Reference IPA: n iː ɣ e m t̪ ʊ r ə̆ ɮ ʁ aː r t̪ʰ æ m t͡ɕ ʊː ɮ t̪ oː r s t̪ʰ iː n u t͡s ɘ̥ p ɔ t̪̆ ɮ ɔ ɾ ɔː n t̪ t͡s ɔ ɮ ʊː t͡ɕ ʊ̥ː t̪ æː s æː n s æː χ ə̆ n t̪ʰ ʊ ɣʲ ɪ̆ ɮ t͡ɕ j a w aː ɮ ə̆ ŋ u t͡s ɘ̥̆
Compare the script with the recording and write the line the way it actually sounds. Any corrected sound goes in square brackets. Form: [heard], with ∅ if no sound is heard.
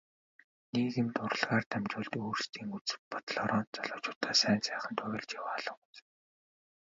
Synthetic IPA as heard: n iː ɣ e m t̪ ʊ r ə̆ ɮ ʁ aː r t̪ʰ æ m t͡ɕ ʊː ɮ t̪ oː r s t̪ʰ iː [ŋ] u t͡s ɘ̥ p ɔ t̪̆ ɮ ɔ ɾ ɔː n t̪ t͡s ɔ ɮ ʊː t͡ɕ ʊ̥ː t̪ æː s æː n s æː χ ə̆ n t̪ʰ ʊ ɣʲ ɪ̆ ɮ t͡ɕ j a w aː ɮ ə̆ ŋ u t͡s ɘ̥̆

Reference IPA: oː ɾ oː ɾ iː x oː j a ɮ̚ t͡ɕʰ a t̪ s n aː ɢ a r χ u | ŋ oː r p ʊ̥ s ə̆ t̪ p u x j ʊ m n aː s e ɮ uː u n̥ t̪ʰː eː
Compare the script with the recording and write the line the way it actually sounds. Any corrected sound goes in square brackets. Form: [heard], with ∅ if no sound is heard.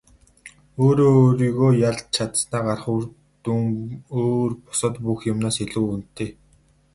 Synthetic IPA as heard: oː ɾ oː ɾ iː [ɣ] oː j a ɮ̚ t͡ɕʰ a t̪ s n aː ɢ a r χ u | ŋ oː r p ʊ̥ s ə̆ t̪ p u x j ʊ m n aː s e ɮ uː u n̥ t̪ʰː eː

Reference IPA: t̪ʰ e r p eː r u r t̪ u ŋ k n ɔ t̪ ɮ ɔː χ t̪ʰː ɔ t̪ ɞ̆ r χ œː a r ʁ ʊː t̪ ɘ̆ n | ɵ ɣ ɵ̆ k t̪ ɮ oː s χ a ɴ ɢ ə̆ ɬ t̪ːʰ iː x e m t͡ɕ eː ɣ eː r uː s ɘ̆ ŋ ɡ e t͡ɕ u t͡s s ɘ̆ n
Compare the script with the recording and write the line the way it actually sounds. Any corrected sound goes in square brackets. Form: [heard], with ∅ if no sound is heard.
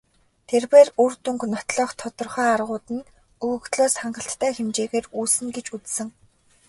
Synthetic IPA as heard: t̪ʰ e r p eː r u r t̪ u ŋ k n ɔ t̪ ɮ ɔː χ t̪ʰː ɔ t̪ ɞ̆ r χ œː a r ʁ ʊː t̪ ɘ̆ n | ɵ ɣ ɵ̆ k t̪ ɮ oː s χ a ɴ ɢ ə̆ ɬ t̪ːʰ [æː] x e m t͡ɕ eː ɣ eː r uː s ɘ̆ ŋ ɡ e t͡ɕ u t͡s s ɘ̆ [ŋ]

